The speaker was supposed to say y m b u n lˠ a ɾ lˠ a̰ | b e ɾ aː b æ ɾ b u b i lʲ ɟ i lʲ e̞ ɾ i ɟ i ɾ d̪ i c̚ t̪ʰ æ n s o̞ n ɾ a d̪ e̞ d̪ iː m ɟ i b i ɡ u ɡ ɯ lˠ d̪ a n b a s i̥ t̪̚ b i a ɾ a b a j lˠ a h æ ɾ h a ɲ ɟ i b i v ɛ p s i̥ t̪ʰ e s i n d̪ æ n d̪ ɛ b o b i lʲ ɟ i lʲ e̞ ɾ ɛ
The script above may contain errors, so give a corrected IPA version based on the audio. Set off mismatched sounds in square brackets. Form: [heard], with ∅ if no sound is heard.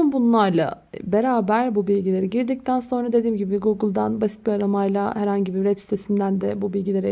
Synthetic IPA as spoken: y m b u n lˠ a ɾ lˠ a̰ | b e ɾ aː b æ ɾ b u b i lʲ ɟ i lʲ e̞ ɾ i ɟ i ɾ d̪ i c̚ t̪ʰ æ n s o̞ n ɾ a d̪ e̞ d̪ iː m ɟ i b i ɡ u ɡ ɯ lˠ d̪ a n b a s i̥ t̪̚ b i a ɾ a [m] a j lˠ a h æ ɾ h a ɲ ɟ i b i v ɛ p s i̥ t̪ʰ e s i n d̪ æ n d̪ ɛ b [u] b i lʲ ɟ i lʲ e̞ ɾ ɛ